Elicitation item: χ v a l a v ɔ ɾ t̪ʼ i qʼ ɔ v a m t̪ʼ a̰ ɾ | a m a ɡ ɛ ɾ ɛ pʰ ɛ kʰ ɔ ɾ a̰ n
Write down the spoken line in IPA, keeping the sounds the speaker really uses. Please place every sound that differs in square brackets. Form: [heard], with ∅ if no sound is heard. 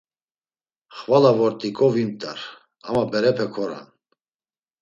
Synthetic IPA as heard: χ v a l a v ɔ ɾ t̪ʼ i [kʼ] ɔ v [i] m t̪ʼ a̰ ɾ | a m a [b] ɛ ɾ ɛ pʰ ɛ kʰ ɔ ɾ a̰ n